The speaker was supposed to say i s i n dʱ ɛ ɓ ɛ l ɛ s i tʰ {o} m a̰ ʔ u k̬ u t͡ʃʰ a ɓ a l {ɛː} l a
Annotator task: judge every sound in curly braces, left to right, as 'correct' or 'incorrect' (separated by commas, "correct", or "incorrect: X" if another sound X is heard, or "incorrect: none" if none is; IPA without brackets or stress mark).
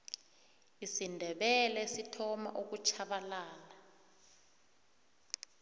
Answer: incorrect: ɔ, incorrect: aː